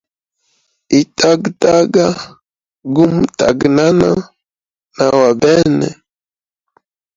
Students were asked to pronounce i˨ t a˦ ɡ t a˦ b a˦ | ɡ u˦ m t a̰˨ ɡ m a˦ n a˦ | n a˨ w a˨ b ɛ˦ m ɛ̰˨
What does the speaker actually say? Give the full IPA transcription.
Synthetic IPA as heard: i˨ t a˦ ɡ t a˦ ɡ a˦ | ɡ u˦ m t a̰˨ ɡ n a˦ n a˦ | n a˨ w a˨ b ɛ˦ n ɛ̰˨